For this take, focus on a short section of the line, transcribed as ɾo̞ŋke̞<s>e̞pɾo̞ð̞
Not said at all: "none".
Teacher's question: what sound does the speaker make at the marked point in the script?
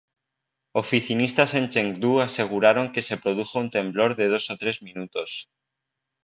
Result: s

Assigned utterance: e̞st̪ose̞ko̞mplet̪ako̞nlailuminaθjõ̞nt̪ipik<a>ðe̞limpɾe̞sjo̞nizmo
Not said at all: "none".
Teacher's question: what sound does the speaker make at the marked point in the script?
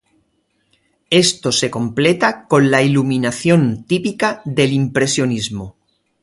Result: a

